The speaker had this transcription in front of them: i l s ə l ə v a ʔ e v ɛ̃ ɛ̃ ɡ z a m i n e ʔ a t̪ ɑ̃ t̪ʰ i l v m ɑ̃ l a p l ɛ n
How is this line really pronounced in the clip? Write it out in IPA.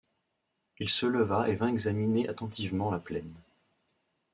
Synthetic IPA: i l s ə l ə v a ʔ e v ɛ̃ ɛ ɡ z a m i n e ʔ a t̪ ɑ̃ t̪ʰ i v m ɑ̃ l a p l ɛ n